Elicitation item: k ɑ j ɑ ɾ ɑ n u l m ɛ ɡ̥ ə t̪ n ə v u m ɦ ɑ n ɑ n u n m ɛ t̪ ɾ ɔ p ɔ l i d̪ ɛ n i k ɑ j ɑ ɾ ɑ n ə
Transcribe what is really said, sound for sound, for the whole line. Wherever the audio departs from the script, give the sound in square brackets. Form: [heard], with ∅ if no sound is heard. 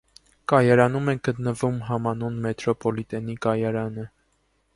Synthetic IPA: k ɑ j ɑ ɾ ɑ n u [∅] m ɛ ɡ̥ ə t̪ n ə v u m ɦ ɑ [m] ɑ n u n m ɛ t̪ ɾ ɔ p ɔ l i [t̪] ɛ n i k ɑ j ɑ ɾ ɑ n ə